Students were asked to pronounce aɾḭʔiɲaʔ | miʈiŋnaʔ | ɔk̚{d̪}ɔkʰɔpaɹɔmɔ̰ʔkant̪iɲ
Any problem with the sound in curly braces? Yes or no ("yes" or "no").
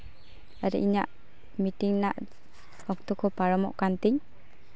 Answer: yes